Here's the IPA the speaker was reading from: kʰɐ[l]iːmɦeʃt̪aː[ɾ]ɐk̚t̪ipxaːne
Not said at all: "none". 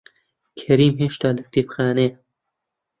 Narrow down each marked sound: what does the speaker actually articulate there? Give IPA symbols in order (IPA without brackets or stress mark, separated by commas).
ɾ, l